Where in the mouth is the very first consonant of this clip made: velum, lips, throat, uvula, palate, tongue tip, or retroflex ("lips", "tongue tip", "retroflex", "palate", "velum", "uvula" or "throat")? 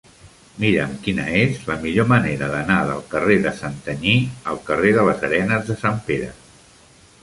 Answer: lips